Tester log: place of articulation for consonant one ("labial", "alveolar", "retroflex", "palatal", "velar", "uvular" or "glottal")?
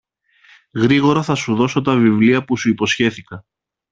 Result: velar